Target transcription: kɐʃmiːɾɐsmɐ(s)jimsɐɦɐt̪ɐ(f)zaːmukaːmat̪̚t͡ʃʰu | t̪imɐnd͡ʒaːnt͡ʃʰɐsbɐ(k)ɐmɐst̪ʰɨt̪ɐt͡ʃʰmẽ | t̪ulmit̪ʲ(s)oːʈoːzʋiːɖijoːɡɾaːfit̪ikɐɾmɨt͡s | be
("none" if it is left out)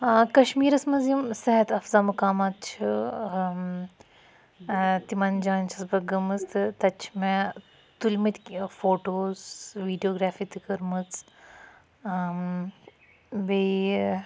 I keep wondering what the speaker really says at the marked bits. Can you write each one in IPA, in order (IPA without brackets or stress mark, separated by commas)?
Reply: z, f, ɡ, f